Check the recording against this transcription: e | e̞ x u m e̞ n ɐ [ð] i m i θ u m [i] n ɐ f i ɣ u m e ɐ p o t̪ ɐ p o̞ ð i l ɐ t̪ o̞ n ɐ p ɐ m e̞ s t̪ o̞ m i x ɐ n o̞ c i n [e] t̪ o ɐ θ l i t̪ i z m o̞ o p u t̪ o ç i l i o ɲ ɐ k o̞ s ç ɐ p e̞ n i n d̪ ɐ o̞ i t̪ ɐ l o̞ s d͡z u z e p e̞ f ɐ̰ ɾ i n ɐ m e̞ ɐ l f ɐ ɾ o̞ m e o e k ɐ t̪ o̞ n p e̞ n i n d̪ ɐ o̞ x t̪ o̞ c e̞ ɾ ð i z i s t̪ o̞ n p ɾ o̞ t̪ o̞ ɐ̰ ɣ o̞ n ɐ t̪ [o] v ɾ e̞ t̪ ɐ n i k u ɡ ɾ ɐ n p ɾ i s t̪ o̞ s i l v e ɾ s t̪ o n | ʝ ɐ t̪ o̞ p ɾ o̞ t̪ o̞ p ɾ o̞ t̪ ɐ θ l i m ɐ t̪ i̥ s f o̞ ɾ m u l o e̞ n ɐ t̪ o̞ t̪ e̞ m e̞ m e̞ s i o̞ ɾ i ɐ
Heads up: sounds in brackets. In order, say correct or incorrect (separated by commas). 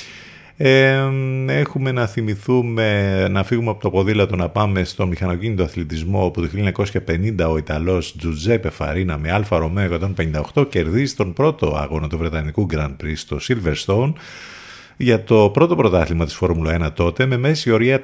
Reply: incorrect, incorrect, incorrect, incorrect